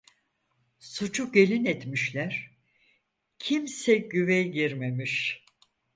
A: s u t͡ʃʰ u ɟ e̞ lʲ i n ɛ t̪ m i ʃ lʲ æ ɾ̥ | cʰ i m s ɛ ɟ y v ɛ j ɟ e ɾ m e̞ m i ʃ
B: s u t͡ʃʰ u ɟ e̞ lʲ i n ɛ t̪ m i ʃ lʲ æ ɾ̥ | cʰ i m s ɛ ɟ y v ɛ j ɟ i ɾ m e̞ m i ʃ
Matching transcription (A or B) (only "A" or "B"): B